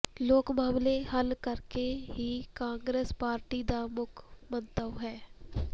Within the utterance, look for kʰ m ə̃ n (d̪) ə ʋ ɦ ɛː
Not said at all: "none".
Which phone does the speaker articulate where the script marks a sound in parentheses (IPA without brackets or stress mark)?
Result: t̪